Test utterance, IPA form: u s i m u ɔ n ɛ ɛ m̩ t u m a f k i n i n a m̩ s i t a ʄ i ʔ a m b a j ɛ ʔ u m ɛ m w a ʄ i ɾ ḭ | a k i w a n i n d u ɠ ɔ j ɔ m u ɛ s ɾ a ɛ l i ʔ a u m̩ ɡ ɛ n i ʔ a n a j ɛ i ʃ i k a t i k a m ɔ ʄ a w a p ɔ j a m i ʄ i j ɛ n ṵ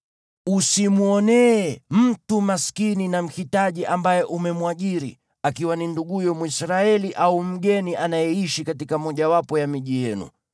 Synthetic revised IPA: u s i m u ɔ n ɛ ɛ m̩ t u m a s k i n i n a m̩ h i t a ʄ i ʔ a m b a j ɛ ʔ u m ɛ m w a ʄ i ɾ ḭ | a k i w a n i n d u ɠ u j ɔ m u i s ɾ a ɛ l i ʔ a u m̩ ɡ ɛ n i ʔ a n a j ɛ i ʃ i k a t i k a m ɔ ʄ a w a p ɔ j a m i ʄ i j ɛ n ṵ